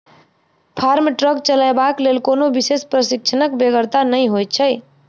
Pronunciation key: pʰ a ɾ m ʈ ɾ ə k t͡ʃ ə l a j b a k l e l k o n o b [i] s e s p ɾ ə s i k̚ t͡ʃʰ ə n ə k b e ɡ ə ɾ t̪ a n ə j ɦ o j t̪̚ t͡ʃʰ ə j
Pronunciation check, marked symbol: correct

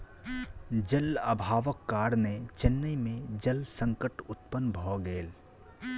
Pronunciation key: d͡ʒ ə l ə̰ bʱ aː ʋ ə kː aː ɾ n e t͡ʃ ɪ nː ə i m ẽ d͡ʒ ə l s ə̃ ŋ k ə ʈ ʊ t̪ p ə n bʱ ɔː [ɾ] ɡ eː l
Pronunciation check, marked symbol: incorrect: none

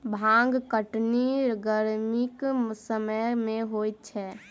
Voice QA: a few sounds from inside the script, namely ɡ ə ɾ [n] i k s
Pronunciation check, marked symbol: incorrect: m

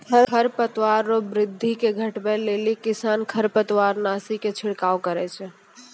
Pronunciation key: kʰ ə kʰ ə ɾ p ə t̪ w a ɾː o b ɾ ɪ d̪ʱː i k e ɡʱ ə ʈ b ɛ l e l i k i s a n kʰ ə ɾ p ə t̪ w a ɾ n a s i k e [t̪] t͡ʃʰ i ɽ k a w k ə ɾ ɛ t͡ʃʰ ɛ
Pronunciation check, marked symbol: incorrect: none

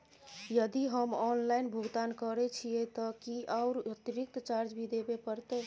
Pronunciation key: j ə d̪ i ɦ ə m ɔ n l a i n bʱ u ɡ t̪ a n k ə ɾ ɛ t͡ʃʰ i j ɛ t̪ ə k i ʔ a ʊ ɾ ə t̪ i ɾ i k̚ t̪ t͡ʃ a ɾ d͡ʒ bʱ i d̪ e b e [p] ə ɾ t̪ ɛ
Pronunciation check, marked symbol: correct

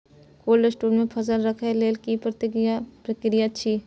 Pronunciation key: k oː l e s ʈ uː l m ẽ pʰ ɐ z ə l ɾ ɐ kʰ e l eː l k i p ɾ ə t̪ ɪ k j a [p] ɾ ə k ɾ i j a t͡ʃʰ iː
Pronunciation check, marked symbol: correct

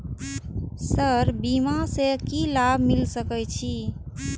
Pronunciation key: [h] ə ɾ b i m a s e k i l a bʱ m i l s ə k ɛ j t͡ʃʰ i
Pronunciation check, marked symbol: incorrect: s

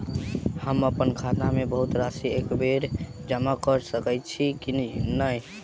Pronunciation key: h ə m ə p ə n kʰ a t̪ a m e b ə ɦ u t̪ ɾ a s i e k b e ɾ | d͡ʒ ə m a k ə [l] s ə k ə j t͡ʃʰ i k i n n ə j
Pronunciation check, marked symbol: incorrect: ɾ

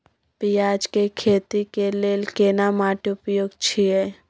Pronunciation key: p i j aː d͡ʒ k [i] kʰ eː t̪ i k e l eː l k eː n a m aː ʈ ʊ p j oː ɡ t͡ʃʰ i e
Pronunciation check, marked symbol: incorrect: e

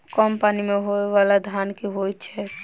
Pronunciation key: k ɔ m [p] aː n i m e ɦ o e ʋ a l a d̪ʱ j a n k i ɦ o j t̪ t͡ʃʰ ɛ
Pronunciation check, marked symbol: correct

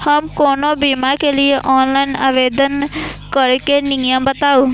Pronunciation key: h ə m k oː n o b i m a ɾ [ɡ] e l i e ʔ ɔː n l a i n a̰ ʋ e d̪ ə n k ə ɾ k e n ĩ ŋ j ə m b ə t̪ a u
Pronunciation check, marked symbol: incorrect: k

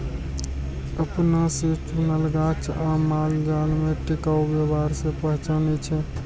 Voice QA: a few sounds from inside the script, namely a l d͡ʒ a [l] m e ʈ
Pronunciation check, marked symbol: correct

